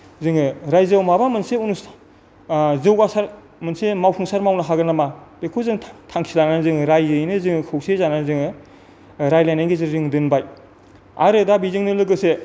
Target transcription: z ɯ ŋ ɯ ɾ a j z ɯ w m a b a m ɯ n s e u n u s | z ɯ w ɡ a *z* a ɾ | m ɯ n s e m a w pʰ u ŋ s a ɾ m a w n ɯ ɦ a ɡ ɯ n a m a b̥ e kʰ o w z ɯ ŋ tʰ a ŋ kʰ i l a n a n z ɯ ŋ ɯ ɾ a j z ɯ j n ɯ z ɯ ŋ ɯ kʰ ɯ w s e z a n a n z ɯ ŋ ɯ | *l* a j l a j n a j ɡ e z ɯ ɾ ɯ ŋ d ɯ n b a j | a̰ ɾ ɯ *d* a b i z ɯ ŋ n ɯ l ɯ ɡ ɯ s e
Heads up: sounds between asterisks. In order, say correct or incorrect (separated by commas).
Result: incorrect, incorrect, correct